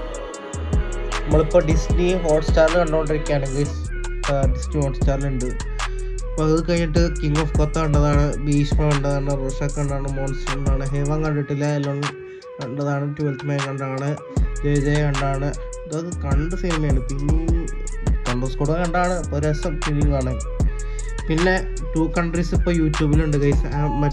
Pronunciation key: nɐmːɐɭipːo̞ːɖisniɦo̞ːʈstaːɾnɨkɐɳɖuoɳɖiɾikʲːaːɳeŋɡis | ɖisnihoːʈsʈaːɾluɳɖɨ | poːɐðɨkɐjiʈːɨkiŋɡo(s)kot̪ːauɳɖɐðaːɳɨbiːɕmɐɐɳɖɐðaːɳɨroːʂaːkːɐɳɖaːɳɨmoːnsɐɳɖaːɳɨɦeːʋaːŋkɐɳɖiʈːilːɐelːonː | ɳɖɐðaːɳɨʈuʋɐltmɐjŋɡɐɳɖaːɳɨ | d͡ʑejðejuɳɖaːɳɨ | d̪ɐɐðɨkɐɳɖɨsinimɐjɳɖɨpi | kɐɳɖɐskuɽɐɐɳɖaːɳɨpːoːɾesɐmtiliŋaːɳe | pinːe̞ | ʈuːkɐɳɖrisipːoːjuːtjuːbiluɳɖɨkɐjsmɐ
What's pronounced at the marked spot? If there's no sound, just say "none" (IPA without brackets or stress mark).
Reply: f